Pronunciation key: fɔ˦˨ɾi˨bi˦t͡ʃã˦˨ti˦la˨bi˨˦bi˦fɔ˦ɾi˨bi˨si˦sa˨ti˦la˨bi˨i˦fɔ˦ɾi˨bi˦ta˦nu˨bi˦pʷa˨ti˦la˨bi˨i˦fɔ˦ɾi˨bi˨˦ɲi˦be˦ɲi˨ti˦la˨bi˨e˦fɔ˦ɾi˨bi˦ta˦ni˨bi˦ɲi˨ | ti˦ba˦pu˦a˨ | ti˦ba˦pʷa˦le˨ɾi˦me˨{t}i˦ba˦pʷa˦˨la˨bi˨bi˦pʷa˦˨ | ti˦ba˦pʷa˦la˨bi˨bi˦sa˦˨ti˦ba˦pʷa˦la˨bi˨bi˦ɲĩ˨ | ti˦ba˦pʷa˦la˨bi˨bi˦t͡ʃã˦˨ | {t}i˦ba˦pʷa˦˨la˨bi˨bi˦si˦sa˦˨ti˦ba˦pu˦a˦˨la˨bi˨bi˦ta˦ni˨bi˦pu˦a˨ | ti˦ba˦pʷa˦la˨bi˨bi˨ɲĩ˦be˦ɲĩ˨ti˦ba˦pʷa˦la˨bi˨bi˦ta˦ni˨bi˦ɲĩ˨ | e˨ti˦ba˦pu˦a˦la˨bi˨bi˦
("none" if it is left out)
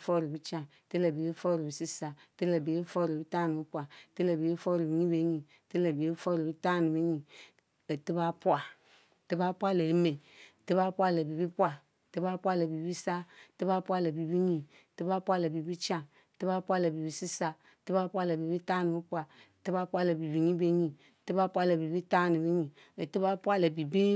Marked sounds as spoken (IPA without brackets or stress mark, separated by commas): t, t